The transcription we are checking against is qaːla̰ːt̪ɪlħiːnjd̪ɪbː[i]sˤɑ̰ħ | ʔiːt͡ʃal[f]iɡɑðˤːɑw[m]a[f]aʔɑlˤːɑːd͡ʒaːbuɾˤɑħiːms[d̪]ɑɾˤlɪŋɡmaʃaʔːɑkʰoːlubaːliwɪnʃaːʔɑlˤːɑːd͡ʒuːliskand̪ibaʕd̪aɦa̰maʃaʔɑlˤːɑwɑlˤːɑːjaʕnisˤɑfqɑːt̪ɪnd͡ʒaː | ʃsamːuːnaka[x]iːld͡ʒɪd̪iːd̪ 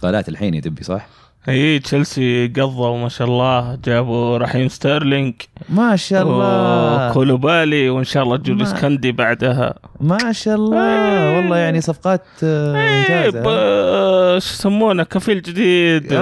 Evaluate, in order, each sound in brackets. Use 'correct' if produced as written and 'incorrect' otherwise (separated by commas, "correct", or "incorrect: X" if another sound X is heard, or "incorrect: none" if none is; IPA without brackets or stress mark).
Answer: correct, incorrect: s, correct, incorrect: ʃ, incorrect: t̪, incorrect: f